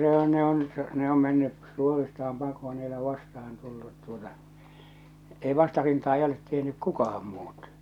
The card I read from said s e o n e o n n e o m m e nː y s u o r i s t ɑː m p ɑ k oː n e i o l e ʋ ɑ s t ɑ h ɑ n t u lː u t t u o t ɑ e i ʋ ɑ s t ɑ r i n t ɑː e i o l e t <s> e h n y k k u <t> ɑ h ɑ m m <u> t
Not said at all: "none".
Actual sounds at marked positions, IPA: t, k, uː

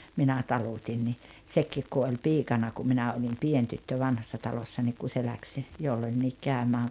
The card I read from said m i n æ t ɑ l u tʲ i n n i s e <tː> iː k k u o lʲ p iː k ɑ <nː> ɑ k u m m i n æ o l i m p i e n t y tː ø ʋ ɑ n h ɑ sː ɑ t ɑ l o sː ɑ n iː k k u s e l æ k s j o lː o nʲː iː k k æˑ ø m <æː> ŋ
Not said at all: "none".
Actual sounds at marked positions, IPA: kː, n, æː

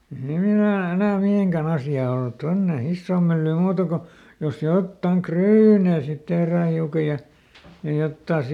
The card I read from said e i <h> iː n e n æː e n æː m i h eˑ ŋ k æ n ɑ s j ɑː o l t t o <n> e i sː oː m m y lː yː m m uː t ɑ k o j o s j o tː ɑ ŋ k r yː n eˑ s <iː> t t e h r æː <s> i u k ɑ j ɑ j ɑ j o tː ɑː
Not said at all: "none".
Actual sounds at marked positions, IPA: h, nː, i, h

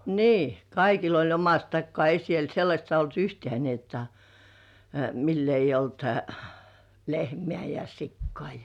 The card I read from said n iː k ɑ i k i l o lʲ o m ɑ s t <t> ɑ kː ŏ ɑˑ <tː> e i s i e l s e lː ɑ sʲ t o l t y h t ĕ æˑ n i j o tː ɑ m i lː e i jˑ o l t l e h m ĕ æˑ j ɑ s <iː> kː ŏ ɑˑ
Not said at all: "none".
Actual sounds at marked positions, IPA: t, none, i

